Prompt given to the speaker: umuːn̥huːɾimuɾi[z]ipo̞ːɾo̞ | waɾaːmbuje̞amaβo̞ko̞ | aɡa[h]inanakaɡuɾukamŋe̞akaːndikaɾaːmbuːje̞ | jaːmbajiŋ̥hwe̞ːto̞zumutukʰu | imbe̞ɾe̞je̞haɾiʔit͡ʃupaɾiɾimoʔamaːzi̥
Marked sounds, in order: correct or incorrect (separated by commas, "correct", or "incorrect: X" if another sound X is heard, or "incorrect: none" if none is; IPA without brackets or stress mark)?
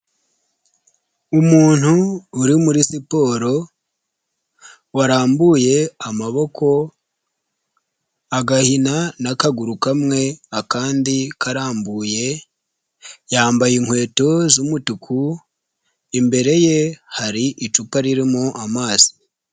incorrect: s, correct